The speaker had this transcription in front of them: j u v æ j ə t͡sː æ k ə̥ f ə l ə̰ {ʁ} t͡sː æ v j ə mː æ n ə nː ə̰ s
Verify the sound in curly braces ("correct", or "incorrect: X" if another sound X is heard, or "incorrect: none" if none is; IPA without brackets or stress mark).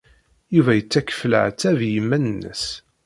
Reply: incorrect: ʕ